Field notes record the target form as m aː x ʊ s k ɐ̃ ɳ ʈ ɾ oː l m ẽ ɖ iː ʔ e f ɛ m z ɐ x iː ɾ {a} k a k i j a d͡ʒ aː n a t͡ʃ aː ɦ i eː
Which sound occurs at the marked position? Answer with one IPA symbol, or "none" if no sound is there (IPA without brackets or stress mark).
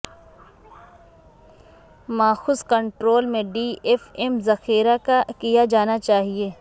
a